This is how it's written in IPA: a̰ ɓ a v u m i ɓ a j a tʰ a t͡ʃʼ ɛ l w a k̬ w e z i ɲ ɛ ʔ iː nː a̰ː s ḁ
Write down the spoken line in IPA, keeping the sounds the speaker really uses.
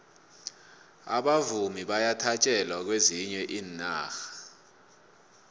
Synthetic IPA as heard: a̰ ɓ a v u m i ɓ a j a tʰ a t͡ʃʼ ɛ l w a k̬ w e z i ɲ ɛ ʔ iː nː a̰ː x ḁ